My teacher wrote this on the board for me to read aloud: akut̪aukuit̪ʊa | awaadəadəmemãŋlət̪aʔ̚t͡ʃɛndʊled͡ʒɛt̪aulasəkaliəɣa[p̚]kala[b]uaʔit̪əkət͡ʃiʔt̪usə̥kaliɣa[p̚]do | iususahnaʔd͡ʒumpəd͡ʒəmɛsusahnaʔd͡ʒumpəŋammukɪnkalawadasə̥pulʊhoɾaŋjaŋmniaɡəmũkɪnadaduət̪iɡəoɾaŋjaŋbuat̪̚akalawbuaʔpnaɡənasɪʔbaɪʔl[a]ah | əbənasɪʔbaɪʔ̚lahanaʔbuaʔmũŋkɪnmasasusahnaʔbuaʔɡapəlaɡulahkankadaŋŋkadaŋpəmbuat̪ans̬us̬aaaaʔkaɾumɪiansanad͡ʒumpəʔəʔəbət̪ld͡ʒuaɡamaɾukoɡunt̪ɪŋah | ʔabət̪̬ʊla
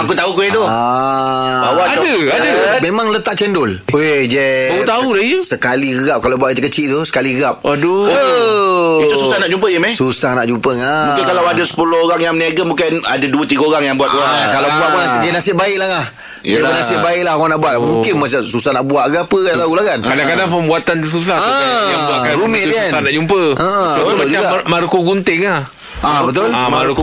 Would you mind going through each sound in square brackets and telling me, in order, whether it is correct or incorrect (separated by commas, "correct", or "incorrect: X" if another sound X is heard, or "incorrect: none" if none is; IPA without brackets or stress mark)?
correct, correct, correct, correct